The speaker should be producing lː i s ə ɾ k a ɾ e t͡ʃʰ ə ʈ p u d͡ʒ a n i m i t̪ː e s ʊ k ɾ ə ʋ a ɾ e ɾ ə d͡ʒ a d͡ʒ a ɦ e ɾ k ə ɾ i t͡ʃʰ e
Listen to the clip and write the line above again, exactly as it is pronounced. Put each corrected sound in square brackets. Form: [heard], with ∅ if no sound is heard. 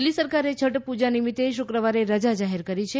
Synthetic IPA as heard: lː i s ə ɾ k a ɾ e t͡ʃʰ ə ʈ p u d͡ʒ a n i m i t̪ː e [ʃ] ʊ k ɾ ə ʋ a ɾ e ɾ ə d͡ʒ a d͡ʒ a ɦ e ɾ k ə ɾ i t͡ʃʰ e